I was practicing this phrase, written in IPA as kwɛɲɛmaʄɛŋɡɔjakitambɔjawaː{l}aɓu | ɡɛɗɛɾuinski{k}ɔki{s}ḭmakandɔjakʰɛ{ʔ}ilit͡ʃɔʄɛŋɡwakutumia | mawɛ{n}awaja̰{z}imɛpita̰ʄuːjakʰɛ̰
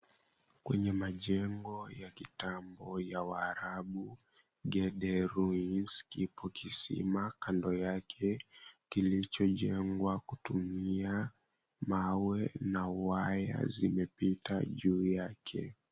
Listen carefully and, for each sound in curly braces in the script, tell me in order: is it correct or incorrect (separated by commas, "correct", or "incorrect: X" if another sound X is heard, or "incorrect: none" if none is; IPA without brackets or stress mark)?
incorrect: ɾ, incorrect: p, correct, incorrect: k, correct, correct